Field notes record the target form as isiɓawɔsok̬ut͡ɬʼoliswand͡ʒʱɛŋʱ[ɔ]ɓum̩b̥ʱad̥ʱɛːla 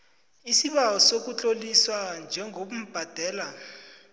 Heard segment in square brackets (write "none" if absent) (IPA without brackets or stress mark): o